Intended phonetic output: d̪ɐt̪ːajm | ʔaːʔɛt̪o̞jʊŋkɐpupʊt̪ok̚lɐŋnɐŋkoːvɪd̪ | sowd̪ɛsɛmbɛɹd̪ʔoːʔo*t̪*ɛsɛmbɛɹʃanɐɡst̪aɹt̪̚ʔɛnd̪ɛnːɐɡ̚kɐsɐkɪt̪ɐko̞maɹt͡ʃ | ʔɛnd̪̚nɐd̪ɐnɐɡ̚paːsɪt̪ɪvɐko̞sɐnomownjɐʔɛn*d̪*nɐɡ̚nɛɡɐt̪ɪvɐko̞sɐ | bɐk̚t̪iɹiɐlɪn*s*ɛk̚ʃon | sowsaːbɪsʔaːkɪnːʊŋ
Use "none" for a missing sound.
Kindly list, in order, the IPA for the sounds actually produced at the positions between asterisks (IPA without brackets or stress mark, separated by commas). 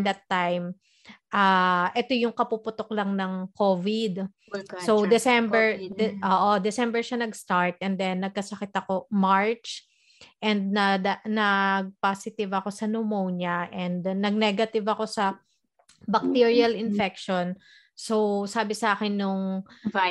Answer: d̪, d̪, f